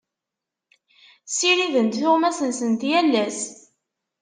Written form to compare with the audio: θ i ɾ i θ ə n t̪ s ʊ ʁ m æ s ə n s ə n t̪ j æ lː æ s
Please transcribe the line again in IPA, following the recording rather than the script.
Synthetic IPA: s i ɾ i ð ə n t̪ θ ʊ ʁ m æ s ə n s ə n t̪ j æ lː æ s

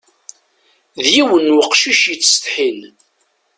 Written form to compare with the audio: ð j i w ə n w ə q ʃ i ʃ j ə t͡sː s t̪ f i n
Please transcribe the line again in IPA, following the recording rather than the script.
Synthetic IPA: ð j i w ə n w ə q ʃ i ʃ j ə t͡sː s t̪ ħ i n

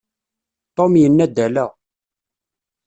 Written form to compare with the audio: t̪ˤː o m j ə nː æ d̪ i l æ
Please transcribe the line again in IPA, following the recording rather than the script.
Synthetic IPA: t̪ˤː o m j ə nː æ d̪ æ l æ

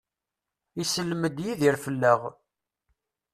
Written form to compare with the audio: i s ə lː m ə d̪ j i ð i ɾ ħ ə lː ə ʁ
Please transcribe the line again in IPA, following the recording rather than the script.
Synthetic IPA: i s ə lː m ə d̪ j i ð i ɾ f ə lː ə ʁ

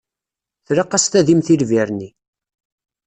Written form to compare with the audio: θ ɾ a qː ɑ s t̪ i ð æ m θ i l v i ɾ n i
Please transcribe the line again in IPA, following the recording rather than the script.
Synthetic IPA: θ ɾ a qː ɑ s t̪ æ ð i m θ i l v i ɾ n i

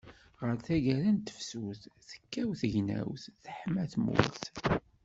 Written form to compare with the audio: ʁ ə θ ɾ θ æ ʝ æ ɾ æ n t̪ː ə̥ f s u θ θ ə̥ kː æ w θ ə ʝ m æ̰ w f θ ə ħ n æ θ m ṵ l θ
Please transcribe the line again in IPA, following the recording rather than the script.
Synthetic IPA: ʁ ə ɾ θ æ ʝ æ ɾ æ n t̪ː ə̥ f s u θ θ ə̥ kː æ w θ ə ʝ n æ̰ w θ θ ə ħ m æ θ m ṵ l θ

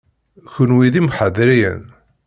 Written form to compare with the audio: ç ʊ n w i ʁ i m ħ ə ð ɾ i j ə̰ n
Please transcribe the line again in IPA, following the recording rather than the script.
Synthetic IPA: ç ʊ n w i ð i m ħ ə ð ɾ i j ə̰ n

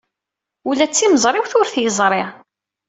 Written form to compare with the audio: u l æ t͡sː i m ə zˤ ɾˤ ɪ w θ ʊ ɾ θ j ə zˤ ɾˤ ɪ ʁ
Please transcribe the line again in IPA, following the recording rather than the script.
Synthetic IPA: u l æ t͡sː i m ə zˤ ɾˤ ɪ w θ ʊ ɾ θ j ə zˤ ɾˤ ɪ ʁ

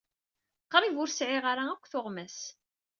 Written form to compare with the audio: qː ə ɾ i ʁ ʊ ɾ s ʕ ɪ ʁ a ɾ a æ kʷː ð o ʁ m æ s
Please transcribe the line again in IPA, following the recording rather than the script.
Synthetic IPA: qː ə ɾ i v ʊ ɾ s ʕ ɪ ʁ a ɾ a æ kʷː θ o ʁ m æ s

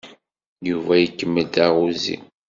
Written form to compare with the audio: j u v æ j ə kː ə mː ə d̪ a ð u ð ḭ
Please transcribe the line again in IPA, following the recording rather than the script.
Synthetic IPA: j u v æ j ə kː ə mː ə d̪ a ʁ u z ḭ

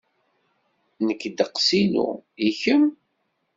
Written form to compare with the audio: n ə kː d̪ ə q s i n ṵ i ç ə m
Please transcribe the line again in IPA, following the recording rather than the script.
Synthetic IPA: n ə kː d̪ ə q s i n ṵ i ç ə m

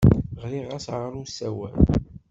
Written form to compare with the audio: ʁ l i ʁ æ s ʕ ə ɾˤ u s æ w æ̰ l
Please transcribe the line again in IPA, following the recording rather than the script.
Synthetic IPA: ʁ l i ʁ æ s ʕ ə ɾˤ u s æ w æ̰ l

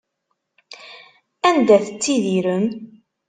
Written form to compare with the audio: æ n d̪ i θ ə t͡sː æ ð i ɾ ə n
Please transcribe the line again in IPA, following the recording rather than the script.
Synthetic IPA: æ n d̪ æ θ ə t͡sː i ð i ɾ ə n

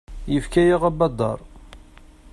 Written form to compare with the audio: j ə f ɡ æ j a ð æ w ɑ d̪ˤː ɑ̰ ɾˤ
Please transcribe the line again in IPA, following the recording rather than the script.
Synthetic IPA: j ə f k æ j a ʁ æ b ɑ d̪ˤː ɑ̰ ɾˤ

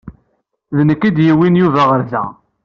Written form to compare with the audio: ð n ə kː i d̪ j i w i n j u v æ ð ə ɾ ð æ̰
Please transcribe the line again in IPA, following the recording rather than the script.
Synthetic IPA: ð n ə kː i d̪ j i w i n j u v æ ʁ ə ɾ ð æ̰

